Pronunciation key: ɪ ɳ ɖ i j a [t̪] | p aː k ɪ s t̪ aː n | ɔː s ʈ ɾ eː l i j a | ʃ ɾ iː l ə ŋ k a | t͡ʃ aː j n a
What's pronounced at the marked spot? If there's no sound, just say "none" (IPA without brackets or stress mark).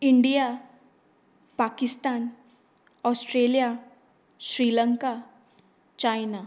none